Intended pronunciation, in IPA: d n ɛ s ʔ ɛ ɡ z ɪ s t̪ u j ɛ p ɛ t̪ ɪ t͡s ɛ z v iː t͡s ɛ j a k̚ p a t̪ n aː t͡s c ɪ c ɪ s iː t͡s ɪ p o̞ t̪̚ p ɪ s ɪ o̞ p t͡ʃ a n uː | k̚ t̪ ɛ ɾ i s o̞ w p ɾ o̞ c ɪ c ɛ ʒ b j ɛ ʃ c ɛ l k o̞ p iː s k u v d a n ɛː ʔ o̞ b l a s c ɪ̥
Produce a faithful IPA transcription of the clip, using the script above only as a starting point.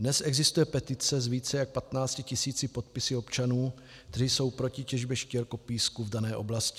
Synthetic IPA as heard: d n ɛ s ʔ ɛ ɡ z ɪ s t̪ u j ɛ p ɛ t̪ ɪ t͡s ɛ z v iː t͡s ɛ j a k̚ p a t̪ n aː t͡s c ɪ c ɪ s iː t͡s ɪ p o̞ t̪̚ p ɪ s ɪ o̞ p t͡ʃ a n uː | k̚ t̪ ɛ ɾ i s o̞ w p ɾ o̞ c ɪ c ɛ ʒ b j ɛ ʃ c ɛ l k o̞ p iː s k u v d a n ɛː ʔ o̞ b l a s c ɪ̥